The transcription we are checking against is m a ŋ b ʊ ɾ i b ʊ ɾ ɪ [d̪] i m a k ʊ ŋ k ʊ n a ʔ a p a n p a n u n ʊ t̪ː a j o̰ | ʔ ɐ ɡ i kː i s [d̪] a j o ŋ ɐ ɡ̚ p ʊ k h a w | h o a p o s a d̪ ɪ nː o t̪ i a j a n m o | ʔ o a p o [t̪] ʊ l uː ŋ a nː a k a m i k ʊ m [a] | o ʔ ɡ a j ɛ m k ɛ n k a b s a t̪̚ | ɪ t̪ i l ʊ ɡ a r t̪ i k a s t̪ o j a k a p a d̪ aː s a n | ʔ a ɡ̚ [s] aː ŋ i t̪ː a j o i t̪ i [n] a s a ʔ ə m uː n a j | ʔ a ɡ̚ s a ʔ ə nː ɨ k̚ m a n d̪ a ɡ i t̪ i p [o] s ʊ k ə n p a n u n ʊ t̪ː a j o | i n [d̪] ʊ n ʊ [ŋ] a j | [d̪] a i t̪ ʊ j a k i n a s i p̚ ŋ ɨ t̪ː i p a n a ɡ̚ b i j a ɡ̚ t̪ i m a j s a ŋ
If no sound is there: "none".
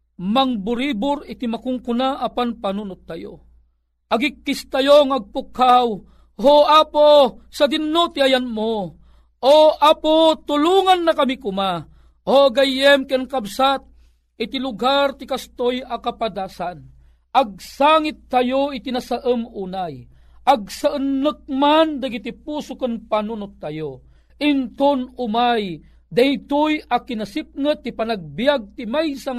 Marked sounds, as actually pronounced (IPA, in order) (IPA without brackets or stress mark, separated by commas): t̪, t̪, t̪, a, s, n, u, t̪, m, d̪